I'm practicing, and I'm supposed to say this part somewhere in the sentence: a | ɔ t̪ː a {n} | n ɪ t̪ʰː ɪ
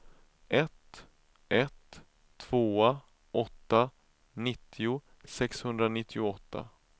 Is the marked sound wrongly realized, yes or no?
yes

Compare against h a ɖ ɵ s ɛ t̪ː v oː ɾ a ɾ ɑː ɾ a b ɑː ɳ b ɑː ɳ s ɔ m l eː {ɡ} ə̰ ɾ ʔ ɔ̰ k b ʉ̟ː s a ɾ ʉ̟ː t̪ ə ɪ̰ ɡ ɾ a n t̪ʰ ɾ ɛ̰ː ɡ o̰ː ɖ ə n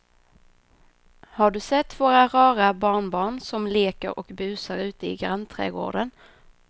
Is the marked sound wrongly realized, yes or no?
yes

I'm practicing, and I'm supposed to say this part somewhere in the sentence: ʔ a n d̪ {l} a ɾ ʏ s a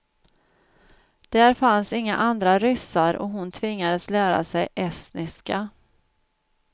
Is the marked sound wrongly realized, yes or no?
yes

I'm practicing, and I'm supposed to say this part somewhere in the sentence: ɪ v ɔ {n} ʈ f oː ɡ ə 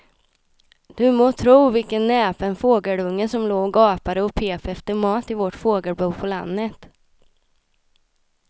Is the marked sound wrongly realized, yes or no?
yes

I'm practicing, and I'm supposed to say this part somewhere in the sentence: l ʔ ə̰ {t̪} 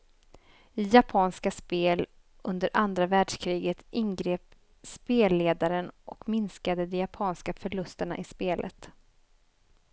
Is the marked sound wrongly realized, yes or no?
no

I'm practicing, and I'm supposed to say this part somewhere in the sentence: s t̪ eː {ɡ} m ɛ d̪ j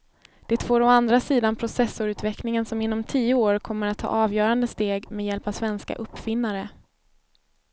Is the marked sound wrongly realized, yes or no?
no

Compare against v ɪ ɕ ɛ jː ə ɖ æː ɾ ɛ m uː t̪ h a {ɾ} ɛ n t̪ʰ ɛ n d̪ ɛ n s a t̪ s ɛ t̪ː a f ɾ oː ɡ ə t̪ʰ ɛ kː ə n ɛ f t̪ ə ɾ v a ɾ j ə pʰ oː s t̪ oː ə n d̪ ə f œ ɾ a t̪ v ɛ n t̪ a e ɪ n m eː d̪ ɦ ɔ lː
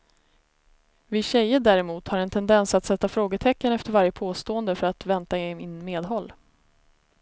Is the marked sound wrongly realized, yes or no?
no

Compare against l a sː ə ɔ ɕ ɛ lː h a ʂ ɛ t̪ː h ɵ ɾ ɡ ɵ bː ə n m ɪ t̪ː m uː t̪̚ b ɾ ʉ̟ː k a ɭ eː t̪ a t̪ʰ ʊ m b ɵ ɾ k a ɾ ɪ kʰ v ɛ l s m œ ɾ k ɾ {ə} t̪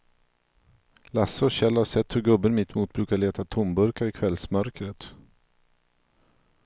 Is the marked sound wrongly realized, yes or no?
no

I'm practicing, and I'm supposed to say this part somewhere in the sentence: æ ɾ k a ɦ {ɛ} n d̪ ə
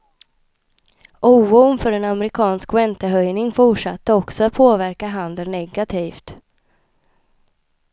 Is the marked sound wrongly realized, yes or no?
yes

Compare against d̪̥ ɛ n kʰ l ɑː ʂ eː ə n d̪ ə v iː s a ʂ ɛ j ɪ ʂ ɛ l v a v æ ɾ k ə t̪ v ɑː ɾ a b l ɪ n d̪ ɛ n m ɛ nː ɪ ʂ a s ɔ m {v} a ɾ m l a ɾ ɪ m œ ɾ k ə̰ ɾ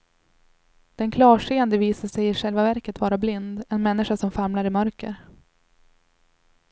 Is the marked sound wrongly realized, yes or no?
yes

